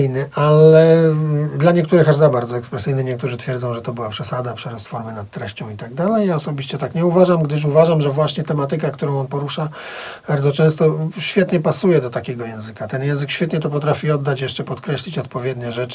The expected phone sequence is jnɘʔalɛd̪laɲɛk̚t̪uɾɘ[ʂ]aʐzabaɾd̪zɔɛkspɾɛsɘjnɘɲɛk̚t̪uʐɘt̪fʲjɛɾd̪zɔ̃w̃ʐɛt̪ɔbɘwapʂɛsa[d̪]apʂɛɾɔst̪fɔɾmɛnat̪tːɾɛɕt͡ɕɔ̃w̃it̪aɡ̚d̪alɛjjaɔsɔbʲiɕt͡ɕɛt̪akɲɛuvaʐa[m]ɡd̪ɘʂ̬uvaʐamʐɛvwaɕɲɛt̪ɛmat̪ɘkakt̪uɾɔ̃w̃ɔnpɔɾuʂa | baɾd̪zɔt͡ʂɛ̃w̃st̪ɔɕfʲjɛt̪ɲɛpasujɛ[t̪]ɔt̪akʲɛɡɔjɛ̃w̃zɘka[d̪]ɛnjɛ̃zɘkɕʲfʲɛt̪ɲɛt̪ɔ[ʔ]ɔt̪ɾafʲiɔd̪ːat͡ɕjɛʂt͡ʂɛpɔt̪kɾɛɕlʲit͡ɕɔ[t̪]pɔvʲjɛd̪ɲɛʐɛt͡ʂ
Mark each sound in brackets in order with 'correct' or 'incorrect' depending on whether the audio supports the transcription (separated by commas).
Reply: incorrect, correct, correct, incorrect, incorrect, incorrect, correct